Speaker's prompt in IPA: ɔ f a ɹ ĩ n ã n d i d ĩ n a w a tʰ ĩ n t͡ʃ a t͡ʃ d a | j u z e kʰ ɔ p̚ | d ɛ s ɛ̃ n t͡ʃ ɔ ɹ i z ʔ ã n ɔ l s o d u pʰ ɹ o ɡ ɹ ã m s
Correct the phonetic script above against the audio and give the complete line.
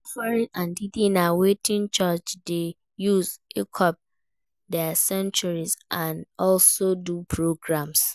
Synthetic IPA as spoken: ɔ f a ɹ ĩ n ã n d i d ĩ n a w e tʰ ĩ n t͡ʃ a t͡ʃ d e | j u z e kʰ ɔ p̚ | d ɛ s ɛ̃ n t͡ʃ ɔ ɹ i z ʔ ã n ɔ l s o d u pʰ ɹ o ɡ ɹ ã m s